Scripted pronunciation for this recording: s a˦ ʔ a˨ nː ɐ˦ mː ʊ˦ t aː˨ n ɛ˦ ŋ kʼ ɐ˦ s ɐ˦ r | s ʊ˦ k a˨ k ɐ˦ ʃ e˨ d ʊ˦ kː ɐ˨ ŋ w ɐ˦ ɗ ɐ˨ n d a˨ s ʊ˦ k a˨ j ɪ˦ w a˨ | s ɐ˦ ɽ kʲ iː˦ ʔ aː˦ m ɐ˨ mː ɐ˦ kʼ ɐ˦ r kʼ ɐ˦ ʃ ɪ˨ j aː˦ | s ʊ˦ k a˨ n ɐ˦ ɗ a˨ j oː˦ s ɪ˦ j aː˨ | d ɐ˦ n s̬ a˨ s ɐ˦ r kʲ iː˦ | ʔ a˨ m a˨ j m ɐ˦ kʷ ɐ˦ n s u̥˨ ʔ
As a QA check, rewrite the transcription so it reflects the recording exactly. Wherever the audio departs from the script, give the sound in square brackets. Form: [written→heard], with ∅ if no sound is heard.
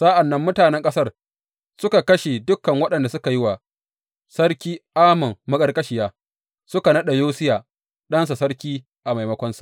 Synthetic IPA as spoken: s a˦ ʔ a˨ nː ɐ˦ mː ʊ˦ t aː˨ n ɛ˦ ŋ kʼ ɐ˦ s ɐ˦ r | s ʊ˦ k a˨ k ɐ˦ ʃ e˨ d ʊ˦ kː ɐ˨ ŋ w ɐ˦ ɗ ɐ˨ n d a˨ s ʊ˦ k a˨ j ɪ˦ w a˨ | s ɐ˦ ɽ kʲ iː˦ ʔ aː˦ m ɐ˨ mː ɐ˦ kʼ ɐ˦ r kʼ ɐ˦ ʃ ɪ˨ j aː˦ | s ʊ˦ k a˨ n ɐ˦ ɗ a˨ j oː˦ s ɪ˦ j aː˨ | [d→ɗ] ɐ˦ n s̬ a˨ s ɐ˦ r kʲ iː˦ | ʔ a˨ m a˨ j m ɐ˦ kʷ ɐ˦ n s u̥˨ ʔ